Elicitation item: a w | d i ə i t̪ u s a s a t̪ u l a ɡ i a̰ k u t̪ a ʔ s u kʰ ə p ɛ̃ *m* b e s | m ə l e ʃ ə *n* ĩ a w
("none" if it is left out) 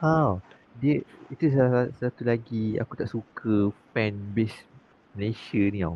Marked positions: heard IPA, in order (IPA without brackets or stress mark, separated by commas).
n, n